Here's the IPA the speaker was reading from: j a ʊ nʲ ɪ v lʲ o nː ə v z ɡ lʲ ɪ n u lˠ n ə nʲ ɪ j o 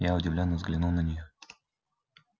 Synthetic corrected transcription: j a ʊ dʲ ɪ v lʲ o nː ə v z ɡ lʲ ɪ n u lˠ n ə nʲ ɪ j o